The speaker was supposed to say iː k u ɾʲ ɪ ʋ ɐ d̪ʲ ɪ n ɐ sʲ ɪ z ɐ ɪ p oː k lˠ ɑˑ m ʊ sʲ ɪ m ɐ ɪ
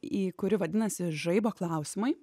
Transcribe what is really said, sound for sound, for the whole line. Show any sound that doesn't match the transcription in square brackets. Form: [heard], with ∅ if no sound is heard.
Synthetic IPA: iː k [ʊ] ɾʲ ɪ ʋ ɐ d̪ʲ ɪ n ɐ sʲ ɪ [ʒ] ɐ ɪ [b] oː k lˠ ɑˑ [∅] ʊ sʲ ɪ m ɐ ɪ